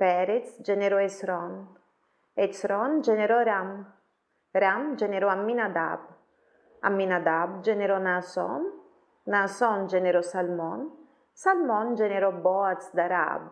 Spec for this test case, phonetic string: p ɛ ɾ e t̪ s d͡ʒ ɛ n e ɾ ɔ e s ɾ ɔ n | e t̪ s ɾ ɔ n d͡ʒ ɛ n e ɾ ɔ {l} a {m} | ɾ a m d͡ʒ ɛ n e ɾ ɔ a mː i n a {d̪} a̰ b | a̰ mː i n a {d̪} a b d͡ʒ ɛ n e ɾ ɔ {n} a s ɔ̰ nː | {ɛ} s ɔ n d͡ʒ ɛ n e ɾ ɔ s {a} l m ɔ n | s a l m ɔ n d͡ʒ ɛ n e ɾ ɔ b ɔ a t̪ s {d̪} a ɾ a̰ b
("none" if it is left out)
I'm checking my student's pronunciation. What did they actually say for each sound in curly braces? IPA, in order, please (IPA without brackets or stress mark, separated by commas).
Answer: ɾ, m, d̪, d̪, n, a, a, d̪